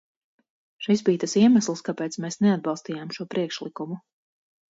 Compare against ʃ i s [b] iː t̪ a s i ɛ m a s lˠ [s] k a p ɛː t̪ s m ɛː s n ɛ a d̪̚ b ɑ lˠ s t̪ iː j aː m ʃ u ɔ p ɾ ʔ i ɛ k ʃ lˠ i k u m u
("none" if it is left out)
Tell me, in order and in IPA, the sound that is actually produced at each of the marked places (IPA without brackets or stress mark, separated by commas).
b, s